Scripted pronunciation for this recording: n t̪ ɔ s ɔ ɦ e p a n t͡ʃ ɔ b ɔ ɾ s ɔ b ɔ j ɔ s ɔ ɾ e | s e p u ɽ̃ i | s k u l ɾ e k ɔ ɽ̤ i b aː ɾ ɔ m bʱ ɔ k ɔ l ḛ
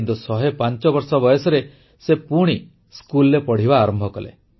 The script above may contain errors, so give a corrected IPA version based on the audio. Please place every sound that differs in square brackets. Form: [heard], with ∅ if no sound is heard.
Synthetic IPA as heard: n t̪ [u] s ɔ ɦ e p a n t͡ʃ ɔ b ɔ ɾ s ɔ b ɔ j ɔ s ɔ ɾ e | s e p u ɽ̃ i | s k u l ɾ e [p] ɔ ɽ̤ i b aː ɾ ɔ m bʱ ɔ k ɔ l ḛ

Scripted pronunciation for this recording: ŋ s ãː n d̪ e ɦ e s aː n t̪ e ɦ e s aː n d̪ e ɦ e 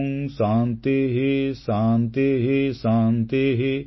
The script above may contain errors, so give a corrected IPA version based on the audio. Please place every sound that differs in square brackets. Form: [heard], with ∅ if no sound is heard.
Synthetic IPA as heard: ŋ s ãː n [t̪] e ɦ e s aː n t̪ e ɦ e s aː n [t̪] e ɦ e

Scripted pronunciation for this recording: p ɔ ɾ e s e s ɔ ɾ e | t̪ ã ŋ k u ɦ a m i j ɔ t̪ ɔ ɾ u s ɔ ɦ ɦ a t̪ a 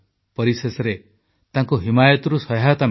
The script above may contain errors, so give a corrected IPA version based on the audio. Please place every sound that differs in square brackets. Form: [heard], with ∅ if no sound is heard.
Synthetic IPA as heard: p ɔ ɾ [i] s e s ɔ ɾ e | t̪ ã ŋ k u ɦ [i] m [a] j ɔ t̪ ɔ ɾ u s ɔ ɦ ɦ a t̪ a

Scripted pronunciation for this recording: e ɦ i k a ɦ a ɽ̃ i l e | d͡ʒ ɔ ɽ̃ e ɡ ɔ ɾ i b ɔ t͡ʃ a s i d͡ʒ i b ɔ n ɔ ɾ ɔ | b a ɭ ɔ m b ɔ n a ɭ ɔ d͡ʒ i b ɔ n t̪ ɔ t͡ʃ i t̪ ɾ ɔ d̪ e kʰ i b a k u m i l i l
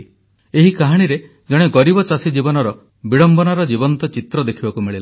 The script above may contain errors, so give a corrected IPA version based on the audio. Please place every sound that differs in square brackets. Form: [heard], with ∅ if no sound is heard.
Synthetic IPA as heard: e ɦ i k a ɦ a ɽ̃ i [ɾ] e | d͡ʒ ɔ ɽ̃ e ɡ ɔ ɾ i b ɔ t͡ʃ a s i d͡ʒ i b ɔ n ɔ ɾ ɔ | b [i] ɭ ɔ m b ɔ n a [ɾ] ɔ d͡ʒ i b ɔ n t̪ ɔ t͡ʃ i t̪ ɾ ɔ d̪ e kʰ i b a k u m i [ɭ] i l

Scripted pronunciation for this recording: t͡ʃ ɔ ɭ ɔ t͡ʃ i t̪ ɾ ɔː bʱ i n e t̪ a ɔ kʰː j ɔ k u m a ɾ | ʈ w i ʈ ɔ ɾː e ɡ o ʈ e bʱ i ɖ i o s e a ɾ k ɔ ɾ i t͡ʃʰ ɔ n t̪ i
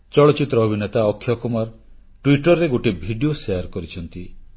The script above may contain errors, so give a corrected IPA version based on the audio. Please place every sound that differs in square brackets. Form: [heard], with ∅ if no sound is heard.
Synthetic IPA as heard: t͡ʃ ɔ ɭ ɔ t͡ʃ i t̪ ɾ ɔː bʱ i n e t̪ a ɔ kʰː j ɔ k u m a ɾ | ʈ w i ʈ ɔ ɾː e ɡ o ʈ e bʱ i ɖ i o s e a ɾ k ɔ ɾ i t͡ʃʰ ɔ n t̪ i

